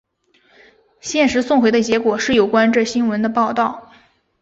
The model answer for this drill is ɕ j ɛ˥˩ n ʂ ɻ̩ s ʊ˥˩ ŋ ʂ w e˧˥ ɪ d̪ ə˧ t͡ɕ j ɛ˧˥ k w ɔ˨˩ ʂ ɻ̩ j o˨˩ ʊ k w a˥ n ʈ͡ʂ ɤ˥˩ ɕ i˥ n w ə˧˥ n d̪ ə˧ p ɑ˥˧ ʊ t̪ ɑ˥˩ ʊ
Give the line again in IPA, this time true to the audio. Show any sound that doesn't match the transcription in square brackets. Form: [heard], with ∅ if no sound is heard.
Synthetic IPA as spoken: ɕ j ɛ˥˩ n ʂ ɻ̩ s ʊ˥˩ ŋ [x] w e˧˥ ɪ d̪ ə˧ t͡ɕ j ɛ˧˥ k w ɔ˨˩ ʂ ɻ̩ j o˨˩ ʊ k w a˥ n ʈ͡ʂ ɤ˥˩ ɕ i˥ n w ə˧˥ n d̪ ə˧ p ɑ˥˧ ʊ t̪ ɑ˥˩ ʊ